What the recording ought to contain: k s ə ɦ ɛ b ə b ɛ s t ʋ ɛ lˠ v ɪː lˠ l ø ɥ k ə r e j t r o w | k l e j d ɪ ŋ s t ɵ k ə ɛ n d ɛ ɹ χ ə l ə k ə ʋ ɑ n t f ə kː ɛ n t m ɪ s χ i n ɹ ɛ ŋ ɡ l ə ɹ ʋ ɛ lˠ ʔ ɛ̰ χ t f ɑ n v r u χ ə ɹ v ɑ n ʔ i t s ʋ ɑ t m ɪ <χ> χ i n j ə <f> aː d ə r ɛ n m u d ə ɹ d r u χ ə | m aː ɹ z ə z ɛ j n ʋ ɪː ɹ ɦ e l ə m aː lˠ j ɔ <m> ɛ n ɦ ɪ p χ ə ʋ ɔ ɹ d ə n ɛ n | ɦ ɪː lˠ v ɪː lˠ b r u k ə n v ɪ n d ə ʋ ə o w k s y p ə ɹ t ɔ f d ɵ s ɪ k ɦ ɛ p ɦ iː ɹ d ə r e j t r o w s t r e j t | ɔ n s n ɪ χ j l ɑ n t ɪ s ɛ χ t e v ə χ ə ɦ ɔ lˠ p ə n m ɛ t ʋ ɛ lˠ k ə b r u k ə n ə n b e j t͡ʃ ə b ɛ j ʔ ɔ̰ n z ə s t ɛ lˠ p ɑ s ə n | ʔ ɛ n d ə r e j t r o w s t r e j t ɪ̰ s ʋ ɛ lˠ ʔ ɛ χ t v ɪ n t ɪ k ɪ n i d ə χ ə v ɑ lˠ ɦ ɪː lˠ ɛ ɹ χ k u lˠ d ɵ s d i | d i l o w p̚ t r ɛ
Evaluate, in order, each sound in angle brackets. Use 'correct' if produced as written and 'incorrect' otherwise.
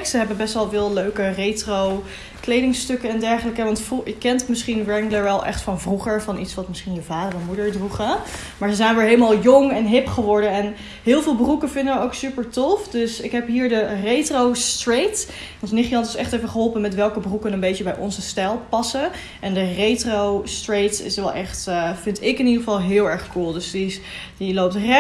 incorrect, incorrect, incorrect

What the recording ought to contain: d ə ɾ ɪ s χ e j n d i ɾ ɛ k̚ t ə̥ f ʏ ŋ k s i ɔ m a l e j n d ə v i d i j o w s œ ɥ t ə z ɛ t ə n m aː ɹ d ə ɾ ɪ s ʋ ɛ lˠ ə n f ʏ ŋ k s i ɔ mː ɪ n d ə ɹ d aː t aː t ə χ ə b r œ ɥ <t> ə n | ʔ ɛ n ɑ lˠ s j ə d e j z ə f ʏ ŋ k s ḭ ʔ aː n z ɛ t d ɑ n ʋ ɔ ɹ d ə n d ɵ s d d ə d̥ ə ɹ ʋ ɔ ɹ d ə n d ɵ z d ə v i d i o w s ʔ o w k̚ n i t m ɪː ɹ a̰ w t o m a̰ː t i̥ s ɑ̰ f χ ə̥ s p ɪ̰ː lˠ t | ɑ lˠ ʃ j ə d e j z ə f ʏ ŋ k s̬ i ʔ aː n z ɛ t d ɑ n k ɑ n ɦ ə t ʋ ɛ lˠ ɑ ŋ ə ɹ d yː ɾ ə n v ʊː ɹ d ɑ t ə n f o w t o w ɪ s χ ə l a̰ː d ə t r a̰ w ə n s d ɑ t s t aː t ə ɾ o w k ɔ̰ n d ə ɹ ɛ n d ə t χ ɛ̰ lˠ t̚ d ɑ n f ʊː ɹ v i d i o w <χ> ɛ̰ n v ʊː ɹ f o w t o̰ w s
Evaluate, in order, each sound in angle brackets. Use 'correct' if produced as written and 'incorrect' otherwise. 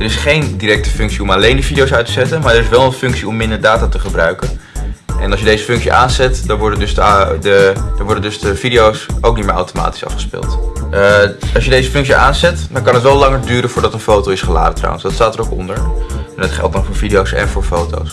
incorrect, incorrect

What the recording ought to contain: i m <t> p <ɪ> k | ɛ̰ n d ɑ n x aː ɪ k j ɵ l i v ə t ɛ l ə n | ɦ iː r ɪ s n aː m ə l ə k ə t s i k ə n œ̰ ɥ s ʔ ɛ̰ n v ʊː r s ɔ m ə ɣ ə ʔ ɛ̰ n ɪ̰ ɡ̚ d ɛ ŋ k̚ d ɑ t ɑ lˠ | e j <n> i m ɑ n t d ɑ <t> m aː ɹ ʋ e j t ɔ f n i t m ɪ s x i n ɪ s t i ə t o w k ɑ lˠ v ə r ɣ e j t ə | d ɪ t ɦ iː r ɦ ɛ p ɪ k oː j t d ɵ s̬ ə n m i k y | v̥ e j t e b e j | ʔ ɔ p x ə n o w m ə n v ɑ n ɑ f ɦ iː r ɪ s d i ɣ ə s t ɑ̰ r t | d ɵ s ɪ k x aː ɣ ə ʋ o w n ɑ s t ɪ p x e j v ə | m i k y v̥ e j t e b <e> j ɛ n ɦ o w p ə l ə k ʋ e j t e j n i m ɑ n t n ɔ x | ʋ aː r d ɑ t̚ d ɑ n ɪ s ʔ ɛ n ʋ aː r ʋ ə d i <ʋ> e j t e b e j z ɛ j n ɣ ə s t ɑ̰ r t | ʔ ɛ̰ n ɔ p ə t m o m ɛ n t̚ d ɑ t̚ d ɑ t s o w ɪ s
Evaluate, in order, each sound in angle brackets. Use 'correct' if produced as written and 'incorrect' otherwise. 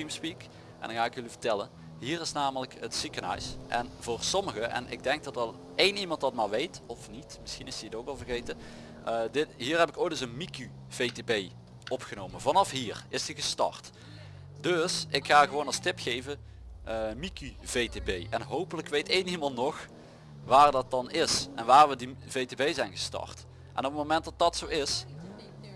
incorrect, incorrect, correct, correct, correct, incorrect

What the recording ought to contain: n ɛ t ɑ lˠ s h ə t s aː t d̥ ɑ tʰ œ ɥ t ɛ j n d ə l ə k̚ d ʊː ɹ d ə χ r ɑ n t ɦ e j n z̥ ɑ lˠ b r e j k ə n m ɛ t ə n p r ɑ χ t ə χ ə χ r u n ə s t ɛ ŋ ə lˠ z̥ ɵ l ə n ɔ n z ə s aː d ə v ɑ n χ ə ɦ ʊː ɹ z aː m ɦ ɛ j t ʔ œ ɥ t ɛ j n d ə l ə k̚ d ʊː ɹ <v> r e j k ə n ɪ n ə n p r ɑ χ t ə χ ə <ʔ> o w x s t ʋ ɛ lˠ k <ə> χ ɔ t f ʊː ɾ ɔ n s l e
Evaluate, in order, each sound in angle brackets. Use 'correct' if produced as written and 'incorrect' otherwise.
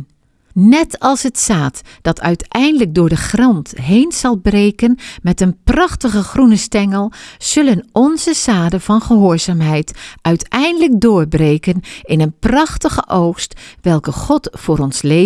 incorrect, correct, correct

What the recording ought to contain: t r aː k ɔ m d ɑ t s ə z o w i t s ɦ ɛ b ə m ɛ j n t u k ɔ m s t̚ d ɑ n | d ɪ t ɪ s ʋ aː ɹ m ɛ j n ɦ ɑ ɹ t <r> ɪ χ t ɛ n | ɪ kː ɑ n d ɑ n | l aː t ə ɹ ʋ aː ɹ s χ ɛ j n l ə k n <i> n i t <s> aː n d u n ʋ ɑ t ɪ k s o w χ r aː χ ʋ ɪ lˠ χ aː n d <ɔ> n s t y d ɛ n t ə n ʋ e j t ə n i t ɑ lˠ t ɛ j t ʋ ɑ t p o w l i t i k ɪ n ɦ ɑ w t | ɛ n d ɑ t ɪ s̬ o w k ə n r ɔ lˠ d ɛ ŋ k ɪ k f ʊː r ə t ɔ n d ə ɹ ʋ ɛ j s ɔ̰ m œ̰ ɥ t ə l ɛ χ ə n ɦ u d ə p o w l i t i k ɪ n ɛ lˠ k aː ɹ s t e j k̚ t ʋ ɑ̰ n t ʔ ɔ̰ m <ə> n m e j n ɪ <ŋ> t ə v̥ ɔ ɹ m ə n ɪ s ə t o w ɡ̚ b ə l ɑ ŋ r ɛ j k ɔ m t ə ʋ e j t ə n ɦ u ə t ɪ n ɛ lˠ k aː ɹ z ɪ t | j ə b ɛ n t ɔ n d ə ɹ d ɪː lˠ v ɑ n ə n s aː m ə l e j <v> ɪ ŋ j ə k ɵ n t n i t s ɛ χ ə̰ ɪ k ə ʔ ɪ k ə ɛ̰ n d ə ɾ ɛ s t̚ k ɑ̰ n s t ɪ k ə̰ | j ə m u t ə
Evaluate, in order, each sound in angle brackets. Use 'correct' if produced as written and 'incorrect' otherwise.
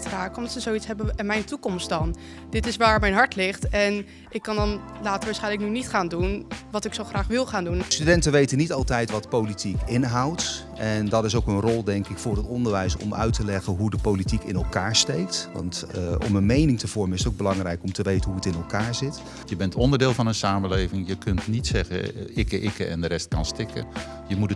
incorrect, incorrect, incorrect, incorrect, correct, correct, correct

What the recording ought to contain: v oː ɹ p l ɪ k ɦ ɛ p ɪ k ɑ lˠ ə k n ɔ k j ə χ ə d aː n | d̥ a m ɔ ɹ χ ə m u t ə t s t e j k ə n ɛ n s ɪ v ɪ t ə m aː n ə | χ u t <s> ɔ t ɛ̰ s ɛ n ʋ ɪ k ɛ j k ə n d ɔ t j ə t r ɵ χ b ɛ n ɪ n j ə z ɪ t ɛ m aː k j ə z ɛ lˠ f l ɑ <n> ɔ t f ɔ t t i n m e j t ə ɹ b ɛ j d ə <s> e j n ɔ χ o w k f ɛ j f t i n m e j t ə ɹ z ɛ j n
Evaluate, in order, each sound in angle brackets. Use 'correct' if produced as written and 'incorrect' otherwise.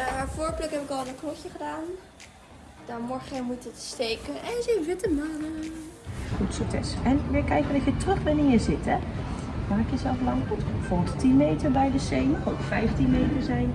correct, incorrect, correct

